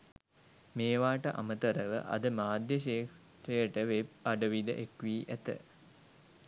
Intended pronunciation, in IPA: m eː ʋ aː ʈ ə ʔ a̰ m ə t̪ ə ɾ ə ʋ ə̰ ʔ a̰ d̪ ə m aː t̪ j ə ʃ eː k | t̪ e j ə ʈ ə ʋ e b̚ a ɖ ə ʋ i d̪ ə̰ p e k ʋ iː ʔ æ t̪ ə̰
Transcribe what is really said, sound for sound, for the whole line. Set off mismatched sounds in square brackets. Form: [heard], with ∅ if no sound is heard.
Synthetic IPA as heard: m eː ʋ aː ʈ ə ʔ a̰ m ə t̪ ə ɾ ə ʋ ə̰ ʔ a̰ d̪ ə m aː [d̪] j ə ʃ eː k | t̪ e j ə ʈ ə ʋ e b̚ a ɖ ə ʋ i d̪ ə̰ [ʔ] e k ʋ iː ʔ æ t̪ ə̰